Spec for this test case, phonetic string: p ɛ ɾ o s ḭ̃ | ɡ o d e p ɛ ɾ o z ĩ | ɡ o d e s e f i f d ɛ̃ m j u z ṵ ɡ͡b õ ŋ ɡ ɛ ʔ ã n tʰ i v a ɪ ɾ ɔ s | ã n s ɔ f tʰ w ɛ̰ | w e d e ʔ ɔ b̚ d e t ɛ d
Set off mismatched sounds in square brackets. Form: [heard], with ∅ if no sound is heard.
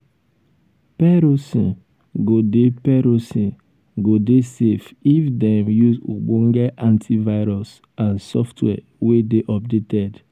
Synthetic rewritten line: p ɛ ɾ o s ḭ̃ | ɡ o d e p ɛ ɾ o [s] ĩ | ɡ o d e s e f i f d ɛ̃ m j u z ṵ ɡ͡b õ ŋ ɡ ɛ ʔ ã n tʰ i v a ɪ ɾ ɔ s | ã n s ɔ f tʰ w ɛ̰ | w e d e ʔ ɔ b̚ d e t ɛ d